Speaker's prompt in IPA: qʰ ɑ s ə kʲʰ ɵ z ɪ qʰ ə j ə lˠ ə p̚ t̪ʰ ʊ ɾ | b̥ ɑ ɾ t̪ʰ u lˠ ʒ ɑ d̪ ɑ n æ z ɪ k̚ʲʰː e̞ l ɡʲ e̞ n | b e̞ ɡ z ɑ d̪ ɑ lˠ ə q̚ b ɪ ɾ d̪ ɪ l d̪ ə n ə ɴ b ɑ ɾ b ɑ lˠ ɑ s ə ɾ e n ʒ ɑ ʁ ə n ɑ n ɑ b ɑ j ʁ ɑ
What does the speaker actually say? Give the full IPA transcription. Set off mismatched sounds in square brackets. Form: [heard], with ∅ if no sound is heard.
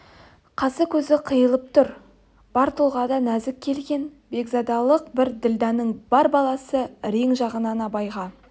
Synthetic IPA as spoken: qʰ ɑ s ə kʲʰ ɵ z ɪ qʰ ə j ə lˠ ə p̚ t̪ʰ ʊ ɾ | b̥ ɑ ɾ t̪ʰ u lˠ [ʁ] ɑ d̪ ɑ n æ z ɪ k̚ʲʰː e̞ l ɡʲ e̞ n | b e̞ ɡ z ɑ d̪ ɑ lˠ ə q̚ b ɪ ɾ d̪ ɪ l d̪ [ɑ] n ə ɴ b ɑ ɾ b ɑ lˠ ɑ s ə ɾ e [ŋ] ʒ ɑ ʁ ə n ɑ n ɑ b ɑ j ʁ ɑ

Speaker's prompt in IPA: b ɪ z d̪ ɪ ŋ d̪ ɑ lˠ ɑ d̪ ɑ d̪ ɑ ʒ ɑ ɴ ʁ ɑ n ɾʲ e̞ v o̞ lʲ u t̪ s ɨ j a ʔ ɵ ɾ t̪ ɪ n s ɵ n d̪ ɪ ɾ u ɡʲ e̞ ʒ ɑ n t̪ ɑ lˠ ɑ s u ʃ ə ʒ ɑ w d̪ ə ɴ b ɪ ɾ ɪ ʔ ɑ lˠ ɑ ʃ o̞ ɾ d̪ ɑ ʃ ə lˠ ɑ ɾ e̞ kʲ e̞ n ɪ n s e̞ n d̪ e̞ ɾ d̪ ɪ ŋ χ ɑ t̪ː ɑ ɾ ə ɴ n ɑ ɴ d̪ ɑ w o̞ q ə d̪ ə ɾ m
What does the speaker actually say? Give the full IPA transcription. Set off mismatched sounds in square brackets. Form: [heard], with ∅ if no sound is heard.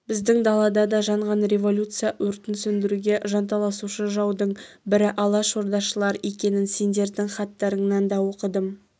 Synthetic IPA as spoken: b ɪ z d̪ ɪ ŋ d̪ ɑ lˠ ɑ d̪ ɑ d̪ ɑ ʒ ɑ ɴ ʁ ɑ n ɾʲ e̞ v o̞ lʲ u t̪ s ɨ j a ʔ ɵ ɾ t̪ ɪ n s ɵ n d̪ ɪ ɾ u ɡʲ e̞ ʒ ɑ n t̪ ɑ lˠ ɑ s u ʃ ə ʒ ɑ w d̪ ə ɴ b ɪ ɾ ɪ ʔ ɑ lˠ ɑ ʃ o̞ ɾ d̪ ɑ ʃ ə lˠ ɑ ɾ e̞ kʲ e̞ n ɪ n s e̞ n d̪ e̞ ɾ d̪ ɪ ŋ χ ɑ t̪ː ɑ ɾ ə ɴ n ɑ [n] d̪ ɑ w o̞ q ə d̪ ə [∅] m

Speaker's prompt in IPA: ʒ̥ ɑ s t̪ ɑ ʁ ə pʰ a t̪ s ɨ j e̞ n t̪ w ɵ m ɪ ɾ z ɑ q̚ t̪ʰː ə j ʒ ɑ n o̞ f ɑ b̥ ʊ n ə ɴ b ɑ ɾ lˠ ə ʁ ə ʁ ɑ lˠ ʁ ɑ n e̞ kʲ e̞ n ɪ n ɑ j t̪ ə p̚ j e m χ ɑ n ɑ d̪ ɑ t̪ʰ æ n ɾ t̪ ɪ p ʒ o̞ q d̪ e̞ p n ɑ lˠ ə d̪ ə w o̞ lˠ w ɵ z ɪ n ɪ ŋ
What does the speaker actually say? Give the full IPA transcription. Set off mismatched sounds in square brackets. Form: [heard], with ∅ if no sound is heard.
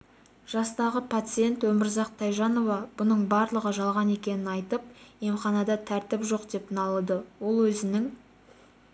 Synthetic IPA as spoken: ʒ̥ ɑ s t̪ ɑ ʁ ə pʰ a t̪ s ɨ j e̞ n t̪ w ɵ m ɪ ɾ z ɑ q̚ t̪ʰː [ɑ] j ʒ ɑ n o̞ [v] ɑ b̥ ʊ n ə ɴ b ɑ ɾ lˠ ə ʁ ə [ʒ] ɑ lˠ ʁ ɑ n e̞ kʲ e̞ n ɪ n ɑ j t̪ ə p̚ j e m χ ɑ n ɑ d̪ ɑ t̪ʰ æ [∅] ɾ t̪ ɪ p ʒ o̞ q d̪ e̞ p n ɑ lˠ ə d̪ ə w o̞ lˠ w ɵ z ɪ n ɪ ŋ

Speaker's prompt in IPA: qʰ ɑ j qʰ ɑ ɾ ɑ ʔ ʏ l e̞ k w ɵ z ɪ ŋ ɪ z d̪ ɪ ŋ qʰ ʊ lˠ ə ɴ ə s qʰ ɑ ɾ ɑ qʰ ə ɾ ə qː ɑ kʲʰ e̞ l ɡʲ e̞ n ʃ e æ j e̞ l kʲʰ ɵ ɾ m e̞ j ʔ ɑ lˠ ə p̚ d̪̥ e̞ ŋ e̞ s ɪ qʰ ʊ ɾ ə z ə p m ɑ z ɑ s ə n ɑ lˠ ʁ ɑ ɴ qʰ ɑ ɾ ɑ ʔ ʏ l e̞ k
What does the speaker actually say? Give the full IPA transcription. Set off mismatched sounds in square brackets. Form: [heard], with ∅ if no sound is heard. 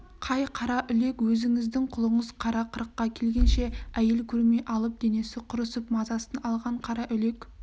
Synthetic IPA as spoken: qʰ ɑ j qʰ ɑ ɾ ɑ ʔ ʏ l e̞ k w ɵ z ɪ ŋ ɪ z d̪ ɪ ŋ qʰ ʊ lˠ ə ɴ ə [z] qʰ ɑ ɾ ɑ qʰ ə ɾ ə qː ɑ kʲʰ e̞ l ɡʲ e̞ n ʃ e æ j e̞ l kʲʰ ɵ ɾ m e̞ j ʔ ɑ lˠ ə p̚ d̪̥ e̞ [n] e̞ s ɪ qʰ ʊ ɾ ə [s] ə p m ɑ z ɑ s ə n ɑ lˠ ʁ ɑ ɴ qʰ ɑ ɾ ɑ ʔ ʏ l e̞ k

